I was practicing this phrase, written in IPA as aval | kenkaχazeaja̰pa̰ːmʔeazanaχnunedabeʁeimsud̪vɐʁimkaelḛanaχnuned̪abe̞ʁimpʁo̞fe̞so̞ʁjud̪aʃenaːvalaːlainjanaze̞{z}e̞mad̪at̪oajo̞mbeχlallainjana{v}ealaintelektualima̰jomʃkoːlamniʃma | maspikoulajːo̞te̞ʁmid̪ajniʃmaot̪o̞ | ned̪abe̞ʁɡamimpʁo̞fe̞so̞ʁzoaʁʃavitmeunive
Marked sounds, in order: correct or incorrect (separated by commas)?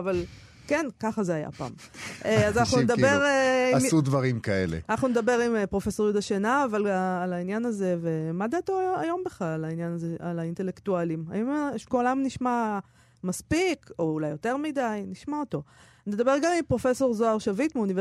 incorrect, incorrect